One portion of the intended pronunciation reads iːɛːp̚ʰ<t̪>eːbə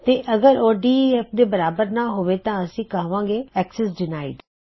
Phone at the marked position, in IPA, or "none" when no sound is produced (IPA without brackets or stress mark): d̪